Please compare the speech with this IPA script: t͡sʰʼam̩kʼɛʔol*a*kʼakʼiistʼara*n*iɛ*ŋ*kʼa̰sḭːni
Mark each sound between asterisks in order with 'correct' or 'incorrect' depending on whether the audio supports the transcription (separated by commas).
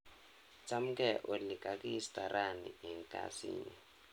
incorrect, correct, correct